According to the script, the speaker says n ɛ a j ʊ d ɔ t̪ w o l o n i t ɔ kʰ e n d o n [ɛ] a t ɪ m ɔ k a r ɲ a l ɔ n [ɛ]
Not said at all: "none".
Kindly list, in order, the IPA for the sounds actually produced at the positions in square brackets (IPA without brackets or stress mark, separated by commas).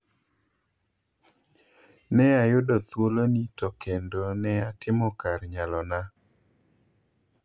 ɛ, a